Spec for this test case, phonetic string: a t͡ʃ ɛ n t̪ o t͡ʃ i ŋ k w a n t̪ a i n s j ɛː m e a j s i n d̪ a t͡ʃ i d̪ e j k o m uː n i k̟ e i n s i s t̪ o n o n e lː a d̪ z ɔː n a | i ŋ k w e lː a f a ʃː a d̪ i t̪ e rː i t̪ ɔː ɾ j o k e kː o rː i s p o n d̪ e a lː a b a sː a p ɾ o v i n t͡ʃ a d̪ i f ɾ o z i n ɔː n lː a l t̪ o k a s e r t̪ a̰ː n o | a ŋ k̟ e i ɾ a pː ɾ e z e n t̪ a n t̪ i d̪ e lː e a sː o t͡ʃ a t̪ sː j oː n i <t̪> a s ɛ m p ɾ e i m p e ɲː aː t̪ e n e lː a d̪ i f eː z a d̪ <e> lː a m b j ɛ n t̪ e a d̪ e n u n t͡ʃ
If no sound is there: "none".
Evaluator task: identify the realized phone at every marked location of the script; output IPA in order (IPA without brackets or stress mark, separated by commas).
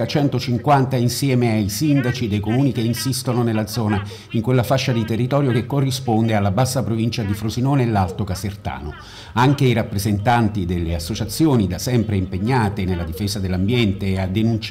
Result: d̪, e